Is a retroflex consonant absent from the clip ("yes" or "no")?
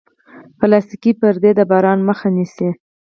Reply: yes